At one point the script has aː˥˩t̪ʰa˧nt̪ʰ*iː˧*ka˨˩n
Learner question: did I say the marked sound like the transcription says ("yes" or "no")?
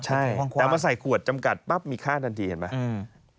yes